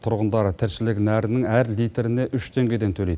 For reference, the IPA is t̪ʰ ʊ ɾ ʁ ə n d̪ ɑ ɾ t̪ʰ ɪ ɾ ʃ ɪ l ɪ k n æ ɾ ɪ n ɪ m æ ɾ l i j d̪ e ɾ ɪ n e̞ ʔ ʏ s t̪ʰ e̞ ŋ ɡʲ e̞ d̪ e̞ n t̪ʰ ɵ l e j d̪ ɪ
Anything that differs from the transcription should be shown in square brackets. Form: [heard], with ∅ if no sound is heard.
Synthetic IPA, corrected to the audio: t̪ʰ ʊ ɾ ʁ ə n d̪ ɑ ɾ t̪ʰ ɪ ɾ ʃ ɪ l ɪ k n æ ɾ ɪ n ɪ [ŋ] æ ɾ l i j [t̪] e ɾ ɪ n e̞ ʔ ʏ [ʃ] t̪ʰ e̞ ŋ ɡʲ e̞ d̪ e̞ n t̪ʰ ɵ l e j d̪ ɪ